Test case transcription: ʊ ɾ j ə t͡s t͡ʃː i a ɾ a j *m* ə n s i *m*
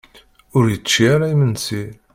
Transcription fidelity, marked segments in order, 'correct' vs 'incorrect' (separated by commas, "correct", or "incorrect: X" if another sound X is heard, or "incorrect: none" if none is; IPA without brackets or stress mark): correct, incorrect: none